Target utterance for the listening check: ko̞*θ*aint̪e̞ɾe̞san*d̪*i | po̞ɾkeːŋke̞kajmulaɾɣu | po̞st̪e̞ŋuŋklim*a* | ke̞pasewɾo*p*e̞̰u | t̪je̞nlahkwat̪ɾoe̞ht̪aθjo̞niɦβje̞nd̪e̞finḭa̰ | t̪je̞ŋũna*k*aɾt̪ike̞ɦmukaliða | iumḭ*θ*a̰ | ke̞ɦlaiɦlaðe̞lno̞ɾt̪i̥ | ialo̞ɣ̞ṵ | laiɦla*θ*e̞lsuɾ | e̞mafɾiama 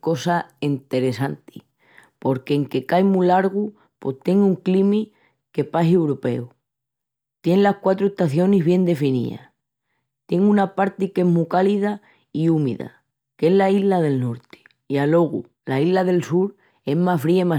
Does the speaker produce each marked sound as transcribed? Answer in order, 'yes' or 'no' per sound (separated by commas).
no, no, no, yes, no, no, no